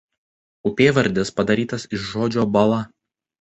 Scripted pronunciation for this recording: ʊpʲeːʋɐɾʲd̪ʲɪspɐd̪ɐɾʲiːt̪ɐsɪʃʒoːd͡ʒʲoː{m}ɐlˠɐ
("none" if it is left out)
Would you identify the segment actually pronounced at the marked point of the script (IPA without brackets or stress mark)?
b